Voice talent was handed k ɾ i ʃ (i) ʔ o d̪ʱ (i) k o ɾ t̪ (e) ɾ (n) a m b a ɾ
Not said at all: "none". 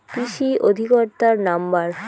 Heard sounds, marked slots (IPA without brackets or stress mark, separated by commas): i, i, a, n